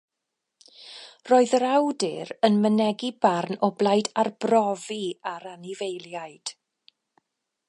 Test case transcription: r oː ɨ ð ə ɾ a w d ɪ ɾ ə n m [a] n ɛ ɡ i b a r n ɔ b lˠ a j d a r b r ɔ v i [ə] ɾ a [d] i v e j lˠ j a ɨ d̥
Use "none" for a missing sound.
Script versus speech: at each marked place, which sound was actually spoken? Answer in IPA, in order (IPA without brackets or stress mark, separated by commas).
ə, a, n